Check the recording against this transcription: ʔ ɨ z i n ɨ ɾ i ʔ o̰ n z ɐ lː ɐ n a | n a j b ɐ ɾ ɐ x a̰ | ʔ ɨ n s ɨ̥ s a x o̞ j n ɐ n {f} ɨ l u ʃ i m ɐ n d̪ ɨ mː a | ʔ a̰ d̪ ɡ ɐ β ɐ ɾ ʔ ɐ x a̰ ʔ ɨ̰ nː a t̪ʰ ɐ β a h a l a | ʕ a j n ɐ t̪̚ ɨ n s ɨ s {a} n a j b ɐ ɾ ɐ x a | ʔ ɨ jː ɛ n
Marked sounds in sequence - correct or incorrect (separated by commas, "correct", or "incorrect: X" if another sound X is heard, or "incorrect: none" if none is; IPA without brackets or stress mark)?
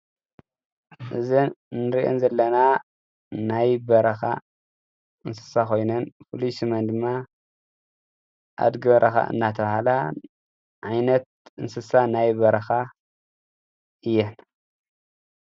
correct, correct